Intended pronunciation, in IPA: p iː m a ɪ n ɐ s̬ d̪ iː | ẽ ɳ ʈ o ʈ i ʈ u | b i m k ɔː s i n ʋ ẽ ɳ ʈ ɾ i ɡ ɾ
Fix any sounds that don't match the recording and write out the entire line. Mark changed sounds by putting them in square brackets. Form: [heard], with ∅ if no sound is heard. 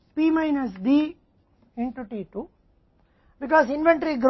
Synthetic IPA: p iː m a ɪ n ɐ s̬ d̪ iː | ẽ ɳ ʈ [u] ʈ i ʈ u | b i [∅] k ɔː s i n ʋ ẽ ɳ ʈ ɾ i ɡ ɾ